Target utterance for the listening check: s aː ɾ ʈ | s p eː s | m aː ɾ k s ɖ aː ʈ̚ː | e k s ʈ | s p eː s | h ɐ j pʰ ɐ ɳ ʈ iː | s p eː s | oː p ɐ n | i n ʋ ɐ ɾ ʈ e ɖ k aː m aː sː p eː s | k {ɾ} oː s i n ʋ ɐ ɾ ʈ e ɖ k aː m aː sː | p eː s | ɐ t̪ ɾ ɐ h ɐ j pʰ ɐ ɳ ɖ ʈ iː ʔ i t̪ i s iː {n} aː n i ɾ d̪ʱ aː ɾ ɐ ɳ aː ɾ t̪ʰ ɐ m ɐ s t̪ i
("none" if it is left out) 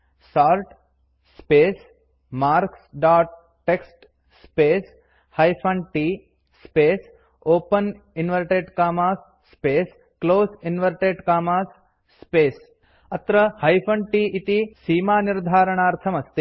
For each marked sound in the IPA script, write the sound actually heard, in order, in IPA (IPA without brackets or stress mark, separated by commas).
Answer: l, m